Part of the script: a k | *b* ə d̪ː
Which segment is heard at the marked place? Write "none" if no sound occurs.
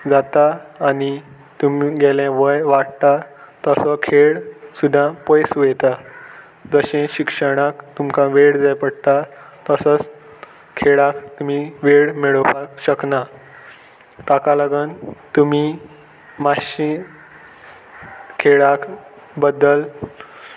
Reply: b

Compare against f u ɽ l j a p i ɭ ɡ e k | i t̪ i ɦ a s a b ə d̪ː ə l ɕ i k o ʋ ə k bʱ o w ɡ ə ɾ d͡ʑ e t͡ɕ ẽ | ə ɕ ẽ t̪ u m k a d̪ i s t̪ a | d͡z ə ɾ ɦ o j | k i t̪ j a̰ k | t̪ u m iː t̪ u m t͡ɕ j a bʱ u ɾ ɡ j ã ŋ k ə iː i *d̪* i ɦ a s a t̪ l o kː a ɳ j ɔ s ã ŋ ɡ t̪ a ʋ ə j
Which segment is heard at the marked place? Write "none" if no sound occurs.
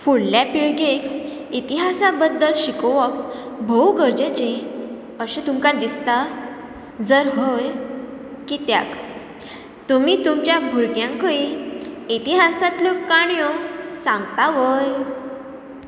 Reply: t̪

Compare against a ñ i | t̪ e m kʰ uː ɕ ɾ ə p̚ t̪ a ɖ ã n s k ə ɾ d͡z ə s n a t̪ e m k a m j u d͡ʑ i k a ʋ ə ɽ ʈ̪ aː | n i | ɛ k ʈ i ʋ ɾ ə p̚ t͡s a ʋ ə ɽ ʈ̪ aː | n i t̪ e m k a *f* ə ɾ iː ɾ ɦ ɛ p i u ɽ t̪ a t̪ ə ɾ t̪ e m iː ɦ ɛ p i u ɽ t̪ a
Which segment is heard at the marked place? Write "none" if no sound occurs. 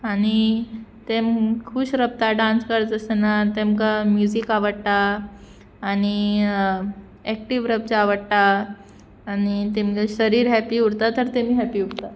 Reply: ɕ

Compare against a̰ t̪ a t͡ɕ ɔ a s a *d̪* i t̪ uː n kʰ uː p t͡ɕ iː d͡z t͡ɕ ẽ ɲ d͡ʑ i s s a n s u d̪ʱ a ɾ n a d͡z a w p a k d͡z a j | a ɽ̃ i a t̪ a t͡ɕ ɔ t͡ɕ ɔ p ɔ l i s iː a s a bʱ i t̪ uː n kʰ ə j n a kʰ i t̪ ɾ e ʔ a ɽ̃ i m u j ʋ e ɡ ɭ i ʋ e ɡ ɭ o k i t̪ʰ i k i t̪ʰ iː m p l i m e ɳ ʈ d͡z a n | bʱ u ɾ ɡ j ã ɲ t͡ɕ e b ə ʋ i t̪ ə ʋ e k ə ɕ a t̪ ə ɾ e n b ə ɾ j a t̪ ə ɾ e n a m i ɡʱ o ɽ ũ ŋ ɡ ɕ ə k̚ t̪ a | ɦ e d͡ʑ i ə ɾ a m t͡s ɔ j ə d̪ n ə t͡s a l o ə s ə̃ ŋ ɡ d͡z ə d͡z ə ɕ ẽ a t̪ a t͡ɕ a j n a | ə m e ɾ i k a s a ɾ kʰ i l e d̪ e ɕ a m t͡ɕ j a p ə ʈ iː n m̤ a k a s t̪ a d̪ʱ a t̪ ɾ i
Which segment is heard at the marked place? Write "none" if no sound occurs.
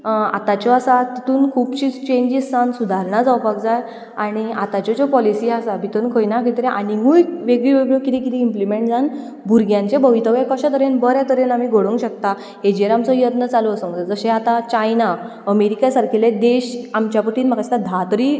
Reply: t̪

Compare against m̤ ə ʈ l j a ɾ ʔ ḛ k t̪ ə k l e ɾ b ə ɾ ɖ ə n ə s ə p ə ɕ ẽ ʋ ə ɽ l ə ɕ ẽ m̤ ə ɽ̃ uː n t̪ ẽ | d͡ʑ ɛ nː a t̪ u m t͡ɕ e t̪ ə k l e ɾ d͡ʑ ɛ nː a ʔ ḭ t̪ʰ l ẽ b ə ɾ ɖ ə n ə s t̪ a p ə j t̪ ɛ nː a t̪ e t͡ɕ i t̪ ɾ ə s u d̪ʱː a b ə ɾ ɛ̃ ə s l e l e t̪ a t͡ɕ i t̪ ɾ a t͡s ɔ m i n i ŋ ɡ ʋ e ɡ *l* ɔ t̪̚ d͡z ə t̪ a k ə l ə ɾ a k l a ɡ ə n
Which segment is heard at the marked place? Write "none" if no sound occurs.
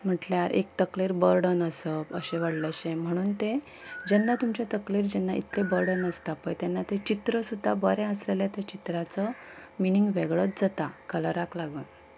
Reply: ɭ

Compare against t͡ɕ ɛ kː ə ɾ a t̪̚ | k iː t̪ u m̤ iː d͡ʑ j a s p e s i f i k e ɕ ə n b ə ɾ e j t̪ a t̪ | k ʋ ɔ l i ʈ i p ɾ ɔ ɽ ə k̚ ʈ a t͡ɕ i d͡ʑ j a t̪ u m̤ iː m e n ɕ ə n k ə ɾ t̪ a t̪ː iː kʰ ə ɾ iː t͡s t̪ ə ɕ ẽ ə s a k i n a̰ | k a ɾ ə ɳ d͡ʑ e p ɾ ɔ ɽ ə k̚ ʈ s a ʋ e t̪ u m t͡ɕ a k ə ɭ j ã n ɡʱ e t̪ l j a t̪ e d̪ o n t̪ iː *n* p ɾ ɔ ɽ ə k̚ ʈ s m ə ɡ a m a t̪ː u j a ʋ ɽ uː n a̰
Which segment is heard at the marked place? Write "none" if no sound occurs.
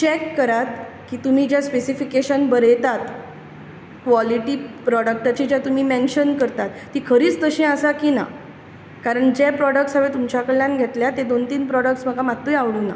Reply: n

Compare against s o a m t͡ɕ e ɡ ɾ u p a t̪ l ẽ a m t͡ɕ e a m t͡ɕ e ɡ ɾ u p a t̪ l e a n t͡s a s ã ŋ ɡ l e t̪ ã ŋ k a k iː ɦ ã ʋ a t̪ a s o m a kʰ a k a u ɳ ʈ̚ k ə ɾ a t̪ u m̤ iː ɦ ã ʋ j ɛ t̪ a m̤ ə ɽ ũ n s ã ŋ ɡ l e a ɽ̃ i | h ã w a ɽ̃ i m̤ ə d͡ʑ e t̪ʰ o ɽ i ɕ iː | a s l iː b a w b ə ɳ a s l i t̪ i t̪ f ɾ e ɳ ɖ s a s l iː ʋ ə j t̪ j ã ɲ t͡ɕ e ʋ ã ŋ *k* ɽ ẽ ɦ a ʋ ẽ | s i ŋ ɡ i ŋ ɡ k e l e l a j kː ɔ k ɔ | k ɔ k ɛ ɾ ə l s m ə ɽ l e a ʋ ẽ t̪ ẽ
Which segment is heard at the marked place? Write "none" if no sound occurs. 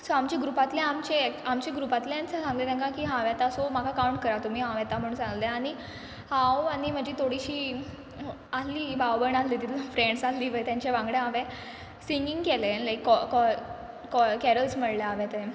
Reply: ɡ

